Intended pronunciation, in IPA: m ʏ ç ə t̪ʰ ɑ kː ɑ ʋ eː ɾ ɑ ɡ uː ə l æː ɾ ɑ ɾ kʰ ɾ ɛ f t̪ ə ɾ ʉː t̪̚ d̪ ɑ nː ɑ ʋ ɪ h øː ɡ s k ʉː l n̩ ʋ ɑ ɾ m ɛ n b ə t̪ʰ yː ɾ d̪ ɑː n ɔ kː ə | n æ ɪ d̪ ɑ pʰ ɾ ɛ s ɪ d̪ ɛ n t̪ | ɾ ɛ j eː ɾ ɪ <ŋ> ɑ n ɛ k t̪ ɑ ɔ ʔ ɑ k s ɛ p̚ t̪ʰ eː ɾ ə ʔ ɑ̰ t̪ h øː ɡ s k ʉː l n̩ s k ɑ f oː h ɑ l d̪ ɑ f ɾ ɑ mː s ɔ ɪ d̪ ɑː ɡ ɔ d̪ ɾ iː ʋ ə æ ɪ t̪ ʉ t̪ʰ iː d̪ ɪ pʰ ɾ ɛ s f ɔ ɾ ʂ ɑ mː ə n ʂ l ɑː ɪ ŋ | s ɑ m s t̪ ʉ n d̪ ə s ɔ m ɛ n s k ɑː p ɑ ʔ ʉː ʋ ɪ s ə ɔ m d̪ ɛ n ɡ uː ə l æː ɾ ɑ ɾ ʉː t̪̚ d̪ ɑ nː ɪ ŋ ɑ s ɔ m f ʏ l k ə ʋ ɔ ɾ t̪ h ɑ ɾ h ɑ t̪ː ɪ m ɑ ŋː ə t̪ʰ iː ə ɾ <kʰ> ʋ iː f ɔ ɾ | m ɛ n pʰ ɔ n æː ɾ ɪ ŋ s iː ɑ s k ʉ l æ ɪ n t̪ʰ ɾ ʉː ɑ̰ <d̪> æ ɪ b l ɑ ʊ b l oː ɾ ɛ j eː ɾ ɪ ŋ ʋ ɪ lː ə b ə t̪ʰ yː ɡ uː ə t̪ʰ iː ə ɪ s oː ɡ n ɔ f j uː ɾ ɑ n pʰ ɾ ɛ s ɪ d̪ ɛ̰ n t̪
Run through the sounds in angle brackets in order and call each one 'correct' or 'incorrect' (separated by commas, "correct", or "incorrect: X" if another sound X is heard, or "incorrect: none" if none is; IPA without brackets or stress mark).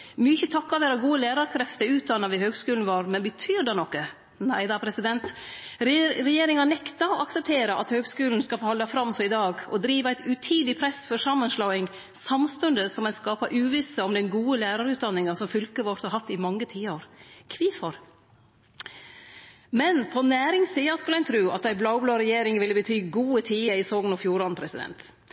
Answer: correct, correct, incorrect: t̪